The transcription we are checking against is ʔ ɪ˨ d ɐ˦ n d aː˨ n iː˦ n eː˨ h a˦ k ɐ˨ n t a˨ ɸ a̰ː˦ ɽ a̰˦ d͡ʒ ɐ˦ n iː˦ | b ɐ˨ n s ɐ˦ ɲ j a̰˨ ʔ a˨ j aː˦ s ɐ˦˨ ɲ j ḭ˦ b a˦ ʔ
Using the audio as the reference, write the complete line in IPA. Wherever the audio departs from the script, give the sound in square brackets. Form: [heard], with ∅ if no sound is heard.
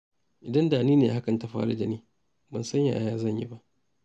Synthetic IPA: ʔ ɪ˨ d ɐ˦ n d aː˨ n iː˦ n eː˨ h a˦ k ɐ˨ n t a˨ ɸ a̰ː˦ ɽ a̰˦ d͡ʒ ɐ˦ n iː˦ | b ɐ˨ n s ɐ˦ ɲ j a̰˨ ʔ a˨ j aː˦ [z] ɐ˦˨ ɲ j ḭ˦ b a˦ ʔ